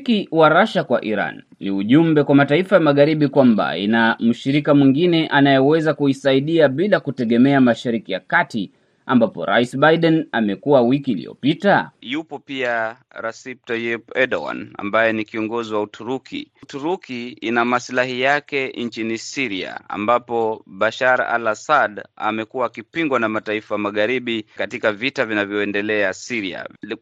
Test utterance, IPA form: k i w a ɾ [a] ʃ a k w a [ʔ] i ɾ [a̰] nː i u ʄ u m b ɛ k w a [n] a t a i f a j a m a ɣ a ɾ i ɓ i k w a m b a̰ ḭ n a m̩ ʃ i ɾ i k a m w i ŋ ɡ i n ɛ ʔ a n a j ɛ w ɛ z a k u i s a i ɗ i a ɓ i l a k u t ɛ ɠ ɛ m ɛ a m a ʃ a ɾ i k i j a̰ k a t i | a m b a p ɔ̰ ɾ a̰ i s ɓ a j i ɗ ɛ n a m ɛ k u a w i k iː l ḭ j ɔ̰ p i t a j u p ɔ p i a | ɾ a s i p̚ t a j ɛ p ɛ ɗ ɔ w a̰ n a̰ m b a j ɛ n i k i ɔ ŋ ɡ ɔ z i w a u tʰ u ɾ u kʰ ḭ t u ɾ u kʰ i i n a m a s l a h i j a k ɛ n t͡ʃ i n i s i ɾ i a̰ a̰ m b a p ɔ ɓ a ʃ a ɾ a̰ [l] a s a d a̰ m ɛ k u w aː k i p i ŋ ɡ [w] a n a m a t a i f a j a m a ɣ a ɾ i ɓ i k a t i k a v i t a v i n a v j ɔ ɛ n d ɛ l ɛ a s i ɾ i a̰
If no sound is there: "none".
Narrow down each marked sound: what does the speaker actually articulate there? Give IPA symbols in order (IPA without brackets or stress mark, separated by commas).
a, ʔ, a̰, m, l, w